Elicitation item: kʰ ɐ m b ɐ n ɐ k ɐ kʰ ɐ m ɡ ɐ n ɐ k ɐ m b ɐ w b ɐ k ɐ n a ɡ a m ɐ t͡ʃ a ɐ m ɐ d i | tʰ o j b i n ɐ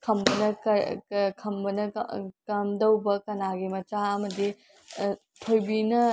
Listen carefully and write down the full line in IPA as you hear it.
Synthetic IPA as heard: kʰ ɐ m b ɐ n ɐ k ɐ kʰ ɐ m b ɐ n ɐ k ɐ m d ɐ w b ɐ k ɐ n a ɡ i m ɐ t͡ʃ a ɐ m ɐ d i | tʰ o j b i n ɐ